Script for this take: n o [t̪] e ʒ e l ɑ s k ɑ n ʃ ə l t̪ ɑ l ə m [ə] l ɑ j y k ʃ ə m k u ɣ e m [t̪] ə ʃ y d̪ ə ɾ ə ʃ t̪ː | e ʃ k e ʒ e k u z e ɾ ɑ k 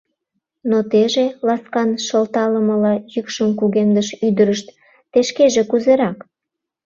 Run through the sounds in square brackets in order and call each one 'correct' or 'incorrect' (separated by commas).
correct, correct, incorrect